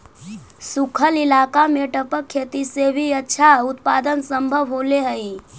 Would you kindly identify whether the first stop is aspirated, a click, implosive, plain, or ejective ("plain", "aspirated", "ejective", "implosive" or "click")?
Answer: aspirated